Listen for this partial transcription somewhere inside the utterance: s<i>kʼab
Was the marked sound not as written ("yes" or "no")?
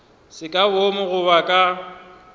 yes